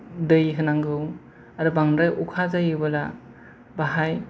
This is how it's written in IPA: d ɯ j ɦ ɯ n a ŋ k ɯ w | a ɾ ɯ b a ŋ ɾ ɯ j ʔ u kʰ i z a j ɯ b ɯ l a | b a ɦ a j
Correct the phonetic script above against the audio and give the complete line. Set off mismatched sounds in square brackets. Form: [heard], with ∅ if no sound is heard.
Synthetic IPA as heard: d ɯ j ɦ ɯ n a ŋ [ɡ] ɯ w | a ɾ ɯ b a ŋ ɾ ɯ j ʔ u kʰ [a] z a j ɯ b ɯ l a | b a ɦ a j